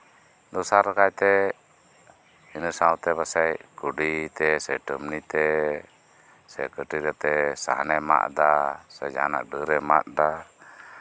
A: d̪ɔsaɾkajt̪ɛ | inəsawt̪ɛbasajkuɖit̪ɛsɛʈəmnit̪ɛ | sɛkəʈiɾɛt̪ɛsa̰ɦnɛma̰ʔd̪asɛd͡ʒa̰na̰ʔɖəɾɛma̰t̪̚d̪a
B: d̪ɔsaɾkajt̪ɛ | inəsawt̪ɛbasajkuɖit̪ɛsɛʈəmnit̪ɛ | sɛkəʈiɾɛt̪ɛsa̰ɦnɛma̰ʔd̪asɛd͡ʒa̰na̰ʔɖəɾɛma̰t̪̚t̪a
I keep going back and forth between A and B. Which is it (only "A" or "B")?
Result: A